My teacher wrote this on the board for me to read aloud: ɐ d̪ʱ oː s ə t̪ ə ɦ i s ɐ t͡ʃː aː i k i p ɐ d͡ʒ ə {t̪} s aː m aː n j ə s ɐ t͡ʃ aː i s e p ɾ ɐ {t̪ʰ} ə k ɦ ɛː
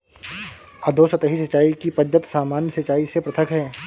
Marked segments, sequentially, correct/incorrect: correct, correct

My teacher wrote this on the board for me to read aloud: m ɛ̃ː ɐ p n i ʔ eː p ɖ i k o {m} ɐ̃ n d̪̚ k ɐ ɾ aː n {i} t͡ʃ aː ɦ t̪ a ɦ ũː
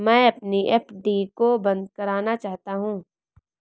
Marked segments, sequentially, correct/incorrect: incorrect: b, incorrect: a

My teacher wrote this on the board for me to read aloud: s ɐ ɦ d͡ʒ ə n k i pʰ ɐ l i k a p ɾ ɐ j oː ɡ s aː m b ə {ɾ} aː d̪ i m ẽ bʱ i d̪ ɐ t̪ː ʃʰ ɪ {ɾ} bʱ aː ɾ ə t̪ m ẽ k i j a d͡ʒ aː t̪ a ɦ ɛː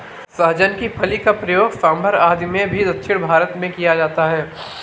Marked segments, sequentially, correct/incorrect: correct, incorrect: ɽ

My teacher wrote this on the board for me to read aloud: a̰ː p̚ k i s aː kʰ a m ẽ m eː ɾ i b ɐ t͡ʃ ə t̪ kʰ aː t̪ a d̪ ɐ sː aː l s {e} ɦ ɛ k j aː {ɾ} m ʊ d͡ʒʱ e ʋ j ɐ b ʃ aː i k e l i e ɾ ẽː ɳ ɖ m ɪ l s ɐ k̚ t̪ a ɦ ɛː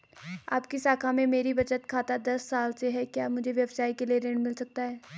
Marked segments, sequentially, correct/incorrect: correct, incorrect: none

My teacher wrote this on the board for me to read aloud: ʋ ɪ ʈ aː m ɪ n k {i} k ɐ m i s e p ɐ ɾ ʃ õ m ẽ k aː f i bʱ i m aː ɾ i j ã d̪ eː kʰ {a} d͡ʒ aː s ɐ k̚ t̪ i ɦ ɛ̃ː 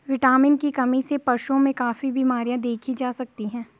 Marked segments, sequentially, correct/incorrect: correct, incorrect: i

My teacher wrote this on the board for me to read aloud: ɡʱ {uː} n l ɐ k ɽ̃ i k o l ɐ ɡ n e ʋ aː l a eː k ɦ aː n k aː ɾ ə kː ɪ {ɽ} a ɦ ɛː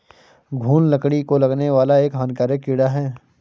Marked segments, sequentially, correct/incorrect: correct, correct

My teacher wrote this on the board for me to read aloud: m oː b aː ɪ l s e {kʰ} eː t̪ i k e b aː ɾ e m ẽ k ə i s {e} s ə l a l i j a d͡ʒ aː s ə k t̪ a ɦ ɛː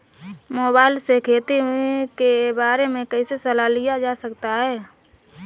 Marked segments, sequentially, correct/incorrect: correct, correct

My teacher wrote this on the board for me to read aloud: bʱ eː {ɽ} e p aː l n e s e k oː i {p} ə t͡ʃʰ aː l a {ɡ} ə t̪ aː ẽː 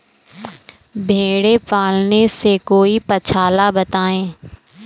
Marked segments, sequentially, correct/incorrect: correct, correct, incorrect: b

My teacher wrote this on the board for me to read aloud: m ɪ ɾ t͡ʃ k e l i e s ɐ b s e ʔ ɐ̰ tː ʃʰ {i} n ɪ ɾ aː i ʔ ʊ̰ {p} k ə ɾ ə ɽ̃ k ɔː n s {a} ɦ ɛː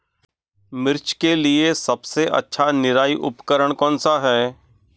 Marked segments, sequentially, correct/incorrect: incorrect: a, correct, correct

